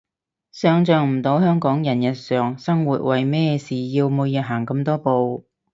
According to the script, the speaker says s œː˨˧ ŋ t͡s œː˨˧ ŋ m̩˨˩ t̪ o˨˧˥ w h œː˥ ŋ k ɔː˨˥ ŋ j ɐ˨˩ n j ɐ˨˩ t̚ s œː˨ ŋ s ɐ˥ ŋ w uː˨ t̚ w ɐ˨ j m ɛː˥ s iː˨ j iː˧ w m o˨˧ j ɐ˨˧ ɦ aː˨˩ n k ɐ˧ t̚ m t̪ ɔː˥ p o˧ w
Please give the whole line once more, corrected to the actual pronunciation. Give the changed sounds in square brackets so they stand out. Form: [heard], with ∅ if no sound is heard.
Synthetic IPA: s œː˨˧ ŋ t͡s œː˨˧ ŋ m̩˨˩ t̪ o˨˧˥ w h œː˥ ŋ k ɔː˨˥ ŋ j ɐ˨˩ n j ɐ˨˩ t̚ s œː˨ ŋ s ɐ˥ ŋ w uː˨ t̚ w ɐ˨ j m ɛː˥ s iː˨ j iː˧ w m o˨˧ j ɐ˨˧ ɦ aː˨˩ [ŋ] k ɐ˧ [∅] m t̪ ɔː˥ p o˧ w